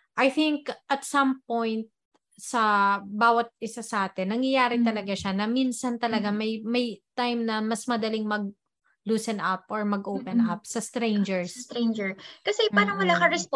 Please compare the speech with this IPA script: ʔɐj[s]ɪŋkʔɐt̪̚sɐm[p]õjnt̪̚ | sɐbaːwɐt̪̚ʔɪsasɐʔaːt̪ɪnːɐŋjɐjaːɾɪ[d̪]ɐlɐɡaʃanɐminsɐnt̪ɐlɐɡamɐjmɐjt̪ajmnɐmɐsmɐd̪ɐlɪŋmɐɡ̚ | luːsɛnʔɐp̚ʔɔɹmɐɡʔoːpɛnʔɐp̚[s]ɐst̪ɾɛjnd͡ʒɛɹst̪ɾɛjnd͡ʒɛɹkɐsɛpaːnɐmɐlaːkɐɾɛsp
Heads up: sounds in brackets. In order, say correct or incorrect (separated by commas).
incorrect, correct, incorrect, correct